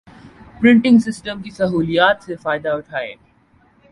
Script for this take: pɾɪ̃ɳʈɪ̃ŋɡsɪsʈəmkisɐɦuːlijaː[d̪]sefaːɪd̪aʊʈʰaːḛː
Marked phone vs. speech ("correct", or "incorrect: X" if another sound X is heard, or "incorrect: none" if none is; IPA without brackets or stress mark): incorrect: t̪